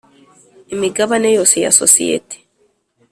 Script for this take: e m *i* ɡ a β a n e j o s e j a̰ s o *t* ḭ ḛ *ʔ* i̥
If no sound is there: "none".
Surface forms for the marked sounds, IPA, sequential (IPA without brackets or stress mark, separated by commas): i, s, t